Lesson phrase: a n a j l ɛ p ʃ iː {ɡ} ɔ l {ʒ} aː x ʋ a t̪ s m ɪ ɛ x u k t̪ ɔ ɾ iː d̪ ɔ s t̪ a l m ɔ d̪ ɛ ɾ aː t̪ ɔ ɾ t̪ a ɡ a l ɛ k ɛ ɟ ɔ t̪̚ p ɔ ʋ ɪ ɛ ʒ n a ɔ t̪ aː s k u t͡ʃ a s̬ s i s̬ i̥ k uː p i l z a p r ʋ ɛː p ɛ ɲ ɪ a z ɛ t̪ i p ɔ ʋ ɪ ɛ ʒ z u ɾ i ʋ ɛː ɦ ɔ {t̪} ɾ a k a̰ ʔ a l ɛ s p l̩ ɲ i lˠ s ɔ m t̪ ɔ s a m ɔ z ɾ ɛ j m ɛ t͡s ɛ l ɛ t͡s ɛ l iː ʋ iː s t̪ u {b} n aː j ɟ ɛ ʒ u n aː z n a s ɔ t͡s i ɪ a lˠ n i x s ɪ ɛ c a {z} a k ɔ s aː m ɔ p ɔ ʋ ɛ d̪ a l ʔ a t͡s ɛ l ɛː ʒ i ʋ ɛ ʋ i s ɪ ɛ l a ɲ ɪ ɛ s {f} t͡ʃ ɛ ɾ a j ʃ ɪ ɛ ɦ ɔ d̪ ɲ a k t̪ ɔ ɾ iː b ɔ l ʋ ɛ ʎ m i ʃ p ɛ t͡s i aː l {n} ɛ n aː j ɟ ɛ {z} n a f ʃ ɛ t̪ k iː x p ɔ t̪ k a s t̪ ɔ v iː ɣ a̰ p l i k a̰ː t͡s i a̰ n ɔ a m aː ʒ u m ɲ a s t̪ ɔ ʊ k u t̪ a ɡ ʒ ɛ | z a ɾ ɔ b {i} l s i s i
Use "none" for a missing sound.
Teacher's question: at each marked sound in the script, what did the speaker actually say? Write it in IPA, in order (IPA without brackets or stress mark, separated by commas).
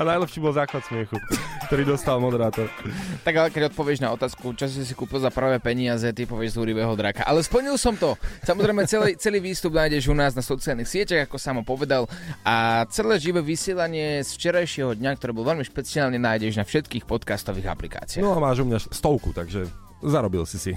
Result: b, z, d̪, b, ɣ, f, ɲ, ʒ, i